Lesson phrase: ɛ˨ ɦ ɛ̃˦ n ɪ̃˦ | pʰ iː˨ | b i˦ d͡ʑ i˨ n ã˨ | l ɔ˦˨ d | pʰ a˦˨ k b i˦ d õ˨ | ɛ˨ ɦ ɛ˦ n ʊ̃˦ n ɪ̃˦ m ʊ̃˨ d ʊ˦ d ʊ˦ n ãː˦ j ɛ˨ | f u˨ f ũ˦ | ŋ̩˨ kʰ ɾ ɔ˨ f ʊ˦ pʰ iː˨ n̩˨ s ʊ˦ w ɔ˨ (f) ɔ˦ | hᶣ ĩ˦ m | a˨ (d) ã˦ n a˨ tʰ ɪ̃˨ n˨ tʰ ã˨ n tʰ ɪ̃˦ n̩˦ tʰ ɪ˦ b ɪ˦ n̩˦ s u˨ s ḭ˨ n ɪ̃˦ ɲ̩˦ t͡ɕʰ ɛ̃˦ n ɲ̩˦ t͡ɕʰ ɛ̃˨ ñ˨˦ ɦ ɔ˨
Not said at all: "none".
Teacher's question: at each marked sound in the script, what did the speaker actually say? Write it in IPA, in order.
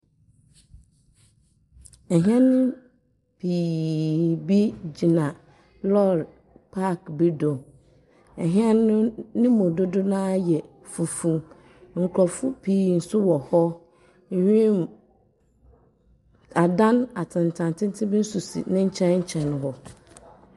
h, d

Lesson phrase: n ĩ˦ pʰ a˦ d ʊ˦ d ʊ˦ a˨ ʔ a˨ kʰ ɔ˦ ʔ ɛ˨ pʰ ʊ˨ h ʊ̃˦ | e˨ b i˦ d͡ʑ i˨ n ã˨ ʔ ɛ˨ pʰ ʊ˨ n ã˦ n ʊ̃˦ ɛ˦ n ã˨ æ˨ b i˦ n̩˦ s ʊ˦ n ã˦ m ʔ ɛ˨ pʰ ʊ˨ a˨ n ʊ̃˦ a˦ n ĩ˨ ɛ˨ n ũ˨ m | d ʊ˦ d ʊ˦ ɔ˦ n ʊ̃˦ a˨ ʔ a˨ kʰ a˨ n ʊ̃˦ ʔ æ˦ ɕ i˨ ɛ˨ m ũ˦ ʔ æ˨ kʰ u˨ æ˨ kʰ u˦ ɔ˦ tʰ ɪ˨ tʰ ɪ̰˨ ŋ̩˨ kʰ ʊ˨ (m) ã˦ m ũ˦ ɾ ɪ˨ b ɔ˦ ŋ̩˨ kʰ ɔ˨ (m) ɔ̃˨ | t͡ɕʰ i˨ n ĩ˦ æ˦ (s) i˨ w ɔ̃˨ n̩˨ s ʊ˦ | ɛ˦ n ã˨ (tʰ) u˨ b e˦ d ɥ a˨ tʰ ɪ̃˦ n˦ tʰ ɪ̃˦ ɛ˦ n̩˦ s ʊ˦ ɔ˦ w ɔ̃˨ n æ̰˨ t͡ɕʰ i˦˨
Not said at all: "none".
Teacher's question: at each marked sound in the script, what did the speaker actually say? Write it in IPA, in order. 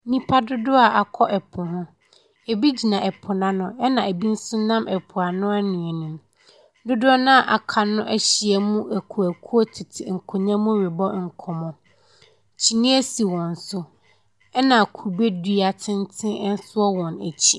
ɲ, m, s, kʰ

